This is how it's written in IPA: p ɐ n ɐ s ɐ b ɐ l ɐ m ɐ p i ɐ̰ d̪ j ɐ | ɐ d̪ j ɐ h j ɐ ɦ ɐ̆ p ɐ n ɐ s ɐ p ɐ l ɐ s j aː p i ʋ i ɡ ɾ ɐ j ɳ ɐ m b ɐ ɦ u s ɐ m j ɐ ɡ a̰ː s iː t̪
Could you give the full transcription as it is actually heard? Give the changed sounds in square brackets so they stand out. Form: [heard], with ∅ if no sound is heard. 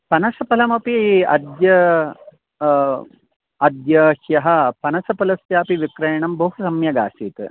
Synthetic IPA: p ɐ n ɐ s ɐ [p] ɐ l ɐ m ɐ p i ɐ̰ d̪ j ɐ | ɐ d̪ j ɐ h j ɐ ɦ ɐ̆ p ɐ n ɐ s ɐ p ɐ l ɐ s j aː p i ʋ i [k] ɾ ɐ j ɳ ɐ m b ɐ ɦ u s ɐ m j ɐ ɡ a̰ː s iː t̪